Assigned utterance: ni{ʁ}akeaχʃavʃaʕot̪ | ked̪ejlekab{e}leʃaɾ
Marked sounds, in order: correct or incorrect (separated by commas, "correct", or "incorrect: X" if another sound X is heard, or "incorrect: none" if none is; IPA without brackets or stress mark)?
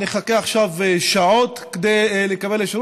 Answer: incorrect: χ, correct